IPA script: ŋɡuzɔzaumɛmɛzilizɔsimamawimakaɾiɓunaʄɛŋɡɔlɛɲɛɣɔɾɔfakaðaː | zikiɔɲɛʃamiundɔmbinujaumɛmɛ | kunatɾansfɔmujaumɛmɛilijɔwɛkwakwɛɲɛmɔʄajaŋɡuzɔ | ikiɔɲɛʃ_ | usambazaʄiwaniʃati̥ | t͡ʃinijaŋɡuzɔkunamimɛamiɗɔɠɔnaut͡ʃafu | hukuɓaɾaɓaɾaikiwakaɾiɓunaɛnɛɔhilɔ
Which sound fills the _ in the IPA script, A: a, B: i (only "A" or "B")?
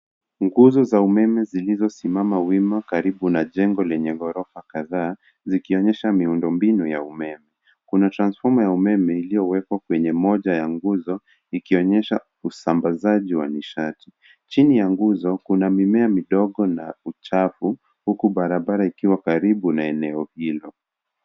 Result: A